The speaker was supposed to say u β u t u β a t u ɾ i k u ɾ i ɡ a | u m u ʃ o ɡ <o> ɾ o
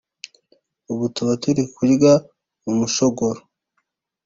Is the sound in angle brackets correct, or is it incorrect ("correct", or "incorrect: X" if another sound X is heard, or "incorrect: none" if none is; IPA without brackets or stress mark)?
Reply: correct